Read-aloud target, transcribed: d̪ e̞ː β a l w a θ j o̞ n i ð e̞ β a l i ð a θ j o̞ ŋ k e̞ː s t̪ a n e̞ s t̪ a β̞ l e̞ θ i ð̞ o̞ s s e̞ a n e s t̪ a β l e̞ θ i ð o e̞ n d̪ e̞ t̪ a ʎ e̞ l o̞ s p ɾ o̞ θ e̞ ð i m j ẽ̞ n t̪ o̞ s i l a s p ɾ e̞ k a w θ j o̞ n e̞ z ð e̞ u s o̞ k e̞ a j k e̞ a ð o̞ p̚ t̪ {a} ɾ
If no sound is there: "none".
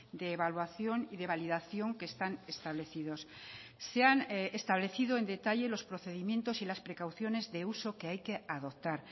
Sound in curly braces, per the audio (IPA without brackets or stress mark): a